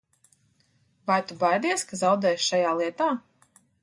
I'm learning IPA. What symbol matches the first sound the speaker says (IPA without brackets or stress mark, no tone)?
v